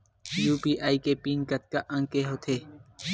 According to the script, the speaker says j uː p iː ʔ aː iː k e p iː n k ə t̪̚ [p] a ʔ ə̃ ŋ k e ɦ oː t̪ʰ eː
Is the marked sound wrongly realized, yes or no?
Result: yes